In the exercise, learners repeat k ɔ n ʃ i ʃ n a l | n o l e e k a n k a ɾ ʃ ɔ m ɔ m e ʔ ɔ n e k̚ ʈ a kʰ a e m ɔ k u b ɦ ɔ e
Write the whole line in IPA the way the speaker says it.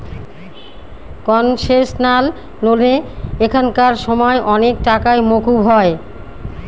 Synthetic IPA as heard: k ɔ n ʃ e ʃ n a l | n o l e e kʰ a n k a ɾ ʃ ɔ m ɔ e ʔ ɔ n e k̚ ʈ a k a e m o k u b ɦ ɔ e